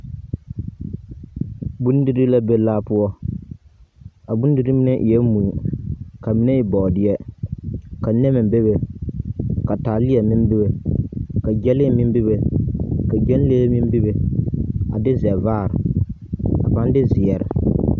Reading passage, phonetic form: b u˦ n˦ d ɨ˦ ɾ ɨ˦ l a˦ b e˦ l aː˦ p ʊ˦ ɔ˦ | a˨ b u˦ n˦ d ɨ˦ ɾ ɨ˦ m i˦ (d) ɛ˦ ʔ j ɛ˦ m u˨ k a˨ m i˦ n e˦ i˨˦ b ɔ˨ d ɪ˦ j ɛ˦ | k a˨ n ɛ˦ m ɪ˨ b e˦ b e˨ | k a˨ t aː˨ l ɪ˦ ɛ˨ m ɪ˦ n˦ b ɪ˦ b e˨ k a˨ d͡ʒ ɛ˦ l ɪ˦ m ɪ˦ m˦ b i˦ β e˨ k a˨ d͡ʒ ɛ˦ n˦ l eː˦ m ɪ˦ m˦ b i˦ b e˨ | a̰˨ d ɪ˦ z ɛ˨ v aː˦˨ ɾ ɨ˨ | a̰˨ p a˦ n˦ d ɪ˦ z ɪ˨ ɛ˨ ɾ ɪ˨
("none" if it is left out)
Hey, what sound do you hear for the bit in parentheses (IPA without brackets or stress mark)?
n